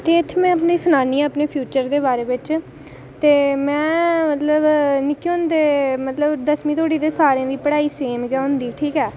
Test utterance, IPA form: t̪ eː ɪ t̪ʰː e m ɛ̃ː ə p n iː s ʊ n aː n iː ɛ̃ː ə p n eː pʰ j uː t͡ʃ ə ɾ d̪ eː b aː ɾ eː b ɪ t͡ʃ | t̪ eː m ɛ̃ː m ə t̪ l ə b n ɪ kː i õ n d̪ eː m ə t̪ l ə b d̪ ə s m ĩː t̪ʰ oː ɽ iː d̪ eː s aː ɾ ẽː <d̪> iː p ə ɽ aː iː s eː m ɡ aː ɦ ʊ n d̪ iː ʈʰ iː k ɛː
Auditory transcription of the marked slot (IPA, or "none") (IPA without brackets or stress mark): d̪